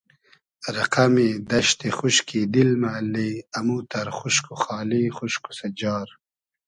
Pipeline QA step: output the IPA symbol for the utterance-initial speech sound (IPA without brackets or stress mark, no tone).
ɾ